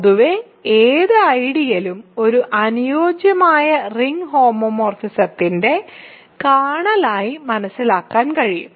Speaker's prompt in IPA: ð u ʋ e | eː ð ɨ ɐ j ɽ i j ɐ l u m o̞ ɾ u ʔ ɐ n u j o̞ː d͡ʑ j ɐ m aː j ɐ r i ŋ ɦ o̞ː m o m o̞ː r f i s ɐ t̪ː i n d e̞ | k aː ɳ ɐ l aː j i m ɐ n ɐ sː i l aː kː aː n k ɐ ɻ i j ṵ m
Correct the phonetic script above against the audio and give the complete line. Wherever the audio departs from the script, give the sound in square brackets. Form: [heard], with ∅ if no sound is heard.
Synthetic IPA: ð u ʋ e | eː ð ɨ ɐ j ɽ i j ɐ l u m o̞ ɾ u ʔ ɐ n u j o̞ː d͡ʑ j ɐ m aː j ɐ r i ŋ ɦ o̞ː m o m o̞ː r f i s ɐ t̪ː i n d e̞ | k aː ɳ ɐ l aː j i m ɐ n ɐ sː i l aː kː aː n k ɐ ɻ i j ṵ m